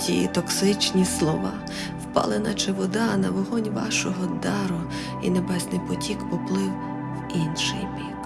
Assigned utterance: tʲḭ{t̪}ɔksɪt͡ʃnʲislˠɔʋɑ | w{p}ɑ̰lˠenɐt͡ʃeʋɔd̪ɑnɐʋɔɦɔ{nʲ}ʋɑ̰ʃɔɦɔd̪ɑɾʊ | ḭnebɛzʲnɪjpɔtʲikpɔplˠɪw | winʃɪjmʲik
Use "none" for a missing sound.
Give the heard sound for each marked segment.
t̪, p, nʲ

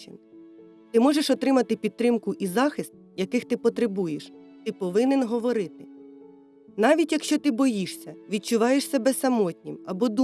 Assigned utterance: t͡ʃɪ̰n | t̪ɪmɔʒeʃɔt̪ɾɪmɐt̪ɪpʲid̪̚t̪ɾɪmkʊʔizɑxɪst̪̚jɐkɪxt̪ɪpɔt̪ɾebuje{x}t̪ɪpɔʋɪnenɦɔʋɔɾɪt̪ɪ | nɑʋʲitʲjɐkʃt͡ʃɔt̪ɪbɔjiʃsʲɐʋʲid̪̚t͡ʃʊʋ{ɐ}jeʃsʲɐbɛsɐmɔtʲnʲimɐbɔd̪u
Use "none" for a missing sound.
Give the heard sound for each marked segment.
ʃ, ɑ

